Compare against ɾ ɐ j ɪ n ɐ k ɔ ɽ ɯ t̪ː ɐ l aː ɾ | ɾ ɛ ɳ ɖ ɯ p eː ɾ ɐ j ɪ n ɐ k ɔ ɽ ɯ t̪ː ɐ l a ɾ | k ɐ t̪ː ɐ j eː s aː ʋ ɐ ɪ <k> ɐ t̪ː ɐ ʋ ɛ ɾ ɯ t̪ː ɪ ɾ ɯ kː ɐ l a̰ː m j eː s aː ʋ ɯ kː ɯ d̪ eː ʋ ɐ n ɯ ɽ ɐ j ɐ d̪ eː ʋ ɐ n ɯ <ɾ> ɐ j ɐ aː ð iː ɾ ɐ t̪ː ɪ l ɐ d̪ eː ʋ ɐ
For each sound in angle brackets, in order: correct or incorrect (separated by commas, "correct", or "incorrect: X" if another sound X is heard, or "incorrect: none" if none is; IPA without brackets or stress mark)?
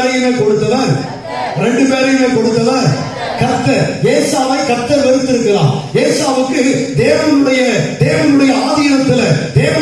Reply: correct, incorrect: ɽ